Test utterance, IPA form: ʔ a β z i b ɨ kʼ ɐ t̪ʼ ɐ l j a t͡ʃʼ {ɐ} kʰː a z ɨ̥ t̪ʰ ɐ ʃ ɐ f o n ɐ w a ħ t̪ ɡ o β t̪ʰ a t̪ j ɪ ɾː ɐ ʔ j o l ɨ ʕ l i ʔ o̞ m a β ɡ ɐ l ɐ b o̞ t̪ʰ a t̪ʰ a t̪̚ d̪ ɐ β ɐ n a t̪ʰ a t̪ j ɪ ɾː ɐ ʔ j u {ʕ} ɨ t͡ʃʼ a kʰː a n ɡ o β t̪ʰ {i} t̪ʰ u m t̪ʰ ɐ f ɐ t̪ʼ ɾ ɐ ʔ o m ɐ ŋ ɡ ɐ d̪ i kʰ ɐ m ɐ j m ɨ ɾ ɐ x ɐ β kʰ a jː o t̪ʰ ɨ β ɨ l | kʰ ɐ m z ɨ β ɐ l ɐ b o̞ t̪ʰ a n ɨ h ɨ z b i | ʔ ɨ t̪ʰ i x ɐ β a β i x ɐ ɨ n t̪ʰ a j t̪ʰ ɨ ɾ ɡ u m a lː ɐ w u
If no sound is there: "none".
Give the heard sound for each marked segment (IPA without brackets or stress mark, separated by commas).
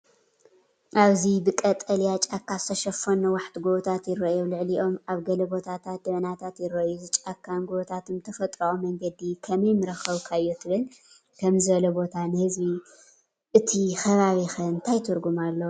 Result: a, z, a